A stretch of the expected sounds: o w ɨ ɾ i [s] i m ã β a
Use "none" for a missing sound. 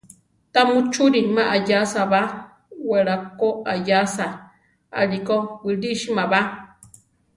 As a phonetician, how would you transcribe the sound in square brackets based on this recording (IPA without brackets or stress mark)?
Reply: ʃ